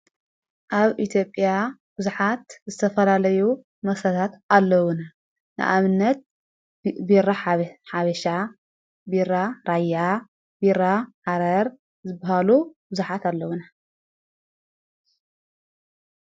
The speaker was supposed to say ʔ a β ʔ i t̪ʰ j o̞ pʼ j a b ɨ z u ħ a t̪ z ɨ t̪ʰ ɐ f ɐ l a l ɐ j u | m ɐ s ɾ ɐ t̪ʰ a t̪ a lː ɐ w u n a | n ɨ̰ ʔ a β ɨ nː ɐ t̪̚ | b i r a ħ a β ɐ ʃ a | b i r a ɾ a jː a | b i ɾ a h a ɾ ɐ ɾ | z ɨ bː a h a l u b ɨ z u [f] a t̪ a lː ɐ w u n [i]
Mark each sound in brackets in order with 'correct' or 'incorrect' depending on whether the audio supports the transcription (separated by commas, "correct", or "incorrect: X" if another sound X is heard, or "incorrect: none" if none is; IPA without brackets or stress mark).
incorrect: ħ, incorrect: a